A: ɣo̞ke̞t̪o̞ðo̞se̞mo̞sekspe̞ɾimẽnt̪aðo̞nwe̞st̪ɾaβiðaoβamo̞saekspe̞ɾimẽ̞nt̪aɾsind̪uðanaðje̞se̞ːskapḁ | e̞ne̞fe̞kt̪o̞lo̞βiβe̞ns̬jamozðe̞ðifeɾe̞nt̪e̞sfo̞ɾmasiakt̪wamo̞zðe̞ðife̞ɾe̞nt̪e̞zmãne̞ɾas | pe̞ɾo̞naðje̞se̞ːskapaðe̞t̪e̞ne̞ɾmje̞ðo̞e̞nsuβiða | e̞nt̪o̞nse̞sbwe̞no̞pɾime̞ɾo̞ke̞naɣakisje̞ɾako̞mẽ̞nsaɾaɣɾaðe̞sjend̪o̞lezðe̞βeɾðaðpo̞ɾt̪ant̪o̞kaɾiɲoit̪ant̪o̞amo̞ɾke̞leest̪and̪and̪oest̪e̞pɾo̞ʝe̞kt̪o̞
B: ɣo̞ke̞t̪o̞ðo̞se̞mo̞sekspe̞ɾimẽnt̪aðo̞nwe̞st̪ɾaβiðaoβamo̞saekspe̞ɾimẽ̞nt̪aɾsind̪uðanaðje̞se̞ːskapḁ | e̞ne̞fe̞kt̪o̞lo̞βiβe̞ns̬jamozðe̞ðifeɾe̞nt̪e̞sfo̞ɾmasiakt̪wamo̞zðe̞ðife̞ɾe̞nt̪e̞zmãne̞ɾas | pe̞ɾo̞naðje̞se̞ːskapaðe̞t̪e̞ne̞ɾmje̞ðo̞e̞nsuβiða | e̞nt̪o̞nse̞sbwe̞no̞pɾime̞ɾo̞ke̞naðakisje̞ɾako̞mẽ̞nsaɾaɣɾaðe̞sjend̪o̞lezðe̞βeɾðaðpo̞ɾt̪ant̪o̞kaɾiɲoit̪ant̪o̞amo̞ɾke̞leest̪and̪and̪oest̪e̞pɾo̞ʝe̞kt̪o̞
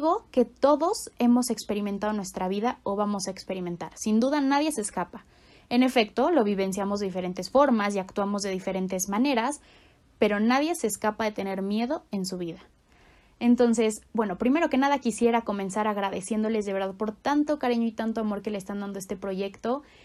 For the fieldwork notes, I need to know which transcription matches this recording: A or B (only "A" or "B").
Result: B